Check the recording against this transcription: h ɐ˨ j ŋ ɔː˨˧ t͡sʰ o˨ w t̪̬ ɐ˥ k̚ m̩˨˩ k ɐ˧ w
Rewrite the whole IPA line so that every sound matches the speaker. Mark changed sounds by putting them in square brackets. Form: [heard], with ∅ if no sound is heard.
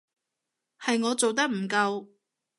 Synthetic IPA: h ɐ˨ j ŋ ɔː˨˧ [t͡s] o˨ w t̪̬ ɐ˥ k̚ m̩˨˩ k ɐ˧ w